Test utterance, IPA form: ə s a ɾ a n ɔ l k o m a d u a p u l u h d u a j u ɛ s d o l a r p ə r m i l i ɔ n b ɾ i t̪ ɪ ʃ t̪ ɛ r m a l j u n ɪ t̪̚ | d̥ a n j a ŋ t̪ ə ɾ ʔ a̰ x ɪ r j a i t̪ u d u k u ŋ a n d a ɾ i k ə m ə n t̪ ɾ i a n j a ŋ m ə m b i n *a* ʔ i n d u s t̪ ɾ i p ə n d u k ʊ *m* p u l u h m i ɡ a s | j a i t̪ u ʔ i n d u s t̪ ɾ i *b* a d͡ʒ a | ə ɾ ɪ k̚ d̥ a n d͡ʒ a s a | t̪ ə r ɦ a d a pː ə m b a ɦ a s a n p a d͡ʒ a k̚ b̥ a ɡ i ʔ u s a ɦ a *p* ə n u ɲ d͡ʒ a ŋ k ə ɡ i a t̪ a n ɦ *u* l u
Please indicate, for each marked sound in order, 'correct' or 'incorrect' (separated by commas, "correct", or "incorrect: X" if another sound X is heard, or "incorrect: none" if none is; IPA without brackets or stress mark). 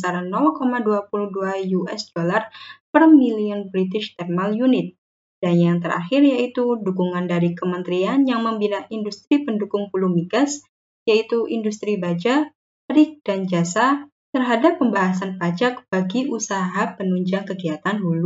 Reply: correct, incorrect: ŋ, correct, correct, correct